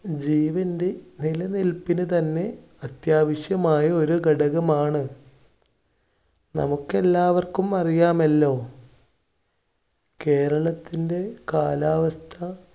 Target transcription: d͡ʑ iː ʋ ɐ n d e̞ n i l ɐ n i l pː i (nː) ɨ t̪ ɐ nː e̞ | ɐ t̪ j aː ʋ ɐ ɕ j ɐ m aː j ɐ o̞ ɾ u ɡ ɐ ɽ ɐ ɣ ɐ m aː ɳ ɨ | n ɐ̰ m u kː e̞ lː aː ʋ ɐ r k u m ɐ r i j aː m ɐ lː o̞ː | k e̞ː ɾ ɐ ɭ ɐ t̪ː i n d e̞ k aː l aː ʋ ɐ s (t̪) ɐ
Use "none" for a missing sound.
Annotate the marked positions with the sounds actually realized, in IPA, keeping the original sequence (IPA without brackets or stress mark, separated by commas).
n, t̪ʰ